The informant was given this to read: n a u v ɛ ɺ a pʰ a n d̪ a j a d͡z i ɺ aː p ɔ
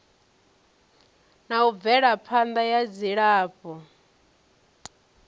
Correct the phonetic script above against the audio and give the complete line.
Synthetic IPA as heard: n a u v ɛ ɺ a pʰ a n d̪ a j a d͡z i ɺ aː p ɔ